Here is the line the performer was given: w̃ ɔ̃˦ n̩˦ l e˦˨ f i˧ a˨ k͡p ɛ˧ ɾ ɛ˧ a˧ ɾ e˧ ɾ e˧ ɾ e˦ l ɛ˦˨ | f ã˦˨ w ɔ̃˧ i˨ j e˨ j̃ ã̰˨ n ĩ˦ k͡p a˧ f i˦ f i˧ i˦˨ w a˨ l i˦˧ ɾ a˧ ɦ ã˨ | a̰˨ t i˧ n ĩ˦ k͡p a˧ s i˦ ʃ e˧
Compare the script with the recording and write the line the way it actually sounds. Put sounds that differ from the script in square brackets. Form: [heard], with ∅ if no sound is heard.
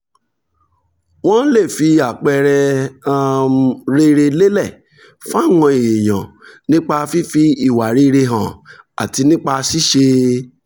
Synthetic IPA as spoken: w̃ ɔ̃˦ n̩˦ l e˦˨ f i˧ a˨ k͡p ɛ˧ ɾ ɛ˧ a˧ ɾ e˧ ɾ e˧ [l] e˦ l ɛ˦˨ | f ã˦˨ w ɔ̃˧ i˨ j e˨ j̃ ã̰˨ n ĩ˦ k͡p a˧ f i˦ f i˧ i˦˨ w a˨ [ɾ] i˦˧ ɾ [e˧] ɦ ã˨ | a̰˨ t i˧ n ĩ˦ k͡p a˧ s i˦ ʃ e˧